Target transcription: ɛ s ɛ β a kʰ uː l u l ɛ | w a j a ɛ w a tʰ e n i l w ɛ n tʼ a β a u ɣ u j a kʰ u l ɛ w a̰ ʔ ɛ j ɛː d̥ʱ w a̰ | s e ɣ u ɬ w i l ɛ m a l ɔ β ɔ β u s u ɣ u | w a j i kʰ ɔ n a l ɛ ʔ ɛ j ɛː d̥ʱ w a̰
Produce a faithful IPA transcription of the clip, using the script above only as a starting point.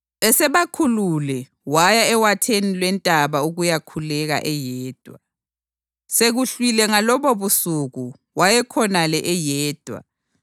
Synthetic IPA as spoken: ɛ s ɛ β a kʰ u l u l ɛ | w a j a ɛ w a tʰ e n i l w ɛ n tʼ a β a u ɣ u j a kʰ u l ɛ ɣ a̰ ʔ ɛ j ɛː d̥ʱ w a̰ | s e ɣ u ɬ w i l ɛ ŋ a l ɔ β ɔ β u s u ɣ u | w a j ɛ kʰ ɔ n a l ɛ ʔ ɛ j ɛː d̥ʱ w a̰